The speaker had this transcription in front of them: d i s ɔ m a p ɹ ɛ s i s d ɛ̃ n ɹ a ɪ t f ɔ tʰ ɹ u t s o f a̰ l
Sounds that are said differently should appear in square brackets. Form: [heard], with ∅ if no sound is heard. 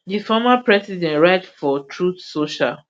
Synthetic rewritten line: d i [f] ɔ m a p ɹ ɛ s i [∅] d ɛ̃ n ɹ a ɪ t f ɔ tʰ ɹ u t s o [ʃ] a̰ l